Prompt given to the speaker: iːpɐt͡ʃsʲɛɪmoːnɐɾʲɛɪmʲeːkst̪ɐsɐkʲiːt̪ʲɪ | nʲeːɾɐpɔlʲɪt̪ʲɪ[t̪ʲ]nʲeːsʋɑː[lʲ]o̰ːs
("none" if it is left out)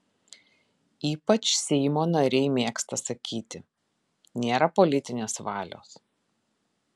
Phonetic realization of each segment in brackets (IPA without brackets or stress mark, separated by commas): none, lʲ